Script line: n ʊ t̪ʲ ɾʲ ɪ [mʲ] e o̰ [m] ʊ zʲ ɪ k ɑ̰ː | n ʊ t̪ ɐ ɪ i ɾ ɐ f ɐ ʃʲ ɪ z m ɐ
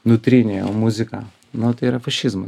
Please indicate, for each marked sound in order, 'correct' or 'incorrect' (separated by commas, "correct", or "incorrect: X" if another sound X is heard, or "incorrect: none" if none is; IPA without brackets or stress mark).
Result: incorrect: nʲ, correct